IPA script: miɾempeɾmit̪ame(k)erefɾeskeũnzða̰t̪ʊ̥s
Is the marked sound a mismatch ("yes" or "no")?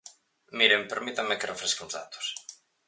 no